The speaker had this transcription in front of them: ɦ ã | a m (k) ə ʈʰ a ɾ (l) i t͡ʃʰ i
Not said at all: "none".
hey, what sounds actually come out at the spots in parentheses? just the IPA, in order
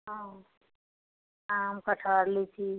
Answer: k, l

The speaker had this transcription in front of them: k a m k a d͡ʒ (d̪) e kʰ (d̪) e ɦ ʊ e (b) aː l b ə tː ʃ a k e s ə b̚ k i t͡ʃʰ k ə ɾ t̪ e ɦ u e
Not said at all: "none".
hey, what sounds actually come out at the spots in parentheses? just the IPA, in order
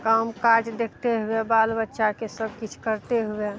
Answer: d̪, t̪, b

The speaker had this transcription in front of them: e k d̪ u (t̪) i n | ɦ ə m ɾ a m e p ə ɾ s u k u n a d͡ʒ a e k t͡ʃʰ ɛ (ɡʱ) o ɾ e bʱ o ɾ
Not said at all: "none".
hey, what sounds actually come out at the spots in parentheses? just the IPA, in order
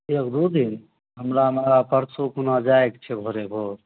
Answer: d̪, bʱ

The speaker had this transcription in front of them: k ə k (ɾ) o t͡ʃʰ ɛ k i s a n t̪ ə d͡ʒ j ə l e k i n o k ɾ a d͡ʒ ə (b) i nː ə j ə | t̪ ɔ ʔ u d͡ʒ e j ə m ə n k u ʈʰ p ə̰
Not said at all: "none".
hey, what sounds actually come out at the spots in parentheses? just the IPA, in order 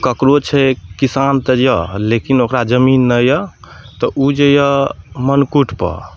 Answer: ɾ, m

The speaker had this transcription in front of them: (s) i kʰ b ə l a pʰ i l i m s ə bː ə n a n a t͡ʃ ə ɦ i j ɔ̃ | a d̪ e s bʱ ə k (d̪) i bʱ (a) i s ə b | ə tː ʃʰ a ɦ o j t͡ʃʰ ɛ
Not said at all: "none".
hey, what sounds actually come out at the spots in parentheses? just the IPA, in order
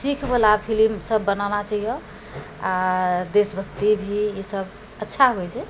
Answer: s, t̪, i

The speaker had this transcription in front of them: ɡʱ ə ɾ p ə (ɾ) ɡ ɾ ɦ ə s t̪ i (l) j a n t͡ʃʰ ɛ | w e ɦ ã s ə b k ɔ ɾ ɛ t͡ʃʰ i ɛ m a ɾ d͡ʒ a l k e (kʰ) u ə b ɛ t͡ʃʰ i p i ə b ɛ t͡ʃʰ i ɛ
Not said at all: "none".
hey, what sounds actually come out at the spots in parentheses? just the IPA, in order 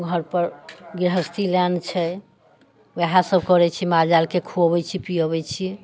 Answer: ɾ, l, kʰ

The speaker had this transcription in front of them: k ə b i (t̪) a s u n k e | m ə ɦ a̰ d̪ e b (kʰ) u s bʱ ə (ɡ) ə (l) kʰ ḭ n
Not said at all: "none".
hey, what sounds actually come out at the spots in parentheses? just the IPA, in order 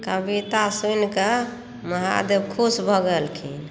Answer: t̪, kʰ, ɡ, l

